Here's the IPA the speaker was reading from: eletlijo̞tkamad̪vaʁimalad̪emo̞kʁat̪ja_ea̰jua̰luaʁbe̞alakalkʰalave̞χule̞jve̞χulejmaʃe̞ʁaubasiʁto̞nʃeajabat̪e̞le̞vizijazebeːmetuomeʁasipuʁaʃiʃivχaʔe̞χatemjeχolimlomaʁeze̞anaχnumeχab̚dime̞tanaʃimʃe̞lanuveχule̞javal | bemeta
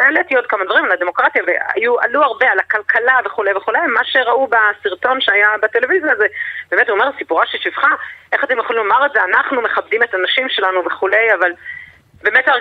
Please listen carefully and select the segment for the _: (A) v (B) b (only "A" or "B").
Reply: A